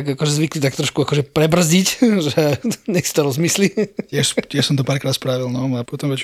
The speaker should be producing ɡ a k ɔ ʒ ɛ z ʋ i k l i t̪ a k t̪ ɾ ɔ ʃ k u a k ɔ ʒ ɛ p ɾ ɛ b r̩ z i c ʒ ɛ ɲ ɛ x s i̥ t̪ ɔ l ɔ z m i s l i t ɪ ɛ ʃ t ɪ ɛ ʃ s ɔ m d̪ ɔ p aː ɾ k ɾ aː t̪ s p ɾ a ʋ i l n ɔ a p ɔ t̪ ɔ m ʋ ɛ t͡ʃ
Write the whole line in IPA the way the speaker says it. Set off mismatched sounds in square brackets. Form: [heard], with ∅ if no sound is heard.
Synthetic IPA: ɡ a k ɔ ʒ ɛ z ʋ i k l i t̪ a k t̪ ɾ ɔ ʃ k u a k ɔ ʒ ɛ p ɾ ɛ b r̩ z i c ʒ ɛ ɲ ɛ x s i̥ t̪ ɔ [ɾ] ɔ z m i s l i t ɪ ɛ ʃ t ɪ ɛ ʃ s ɔ m [t̪] ɔ p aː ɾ k ɾ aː t̪ s p ɾ a ʋ i l n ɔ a p ɔ t̪ ɔ m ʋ ɛ t͡ʃ